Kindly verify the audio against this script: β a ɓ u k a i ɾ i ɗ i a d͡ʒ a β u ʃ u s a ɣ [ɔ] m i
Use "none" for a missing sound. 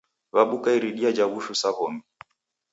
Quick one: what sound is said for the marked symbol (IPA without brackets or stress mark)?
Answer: ɔ